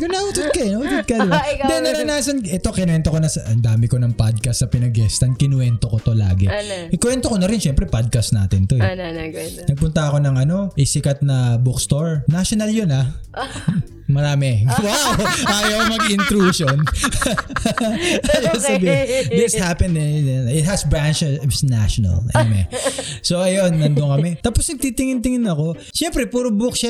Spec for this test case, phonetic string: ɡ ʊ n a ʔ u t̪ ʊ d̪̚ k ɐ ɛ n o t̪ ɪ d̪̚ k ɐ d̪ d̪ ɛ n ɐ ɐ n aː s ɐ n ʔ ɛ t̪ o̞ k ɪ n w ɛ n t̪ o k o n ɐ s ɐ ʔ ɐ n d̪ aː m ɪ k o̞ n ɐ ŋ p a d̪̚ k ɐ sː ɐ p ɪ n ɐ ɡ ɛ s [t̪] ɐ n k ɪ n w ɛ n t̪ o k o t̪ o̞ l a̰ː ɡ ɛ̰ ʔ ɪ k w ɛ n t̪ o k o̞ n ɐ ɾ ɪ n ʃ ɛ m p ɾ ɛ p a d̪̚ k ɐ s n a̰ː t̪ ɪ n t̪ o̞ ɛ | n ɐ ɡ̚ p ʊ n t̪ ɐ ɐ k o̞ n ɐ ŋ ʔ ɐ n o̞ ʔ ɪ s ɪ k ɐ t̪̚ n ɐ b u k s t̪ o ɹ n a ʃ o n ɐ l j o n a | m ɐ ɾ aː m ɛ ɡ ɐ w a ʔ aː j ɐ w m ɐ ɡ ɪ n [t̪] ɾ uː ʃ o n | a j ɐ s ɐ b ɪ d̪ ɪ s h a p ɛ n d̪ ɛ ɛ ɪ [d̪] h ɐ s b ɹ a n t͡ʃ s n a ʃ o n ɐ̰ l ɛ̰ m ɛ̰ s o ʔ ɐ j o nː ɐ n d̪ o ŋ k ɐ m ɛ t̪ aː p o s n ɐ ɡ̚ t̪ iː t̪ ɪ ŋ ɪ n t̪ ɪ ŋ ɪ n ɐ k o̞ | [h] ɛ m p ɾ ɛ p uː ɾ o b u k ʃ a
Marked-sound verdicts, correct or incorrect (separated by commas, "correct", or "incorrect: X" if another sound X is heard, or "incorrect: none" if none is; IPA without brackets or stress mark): correct, correct, incorrect: t̪, incorrect: ʃ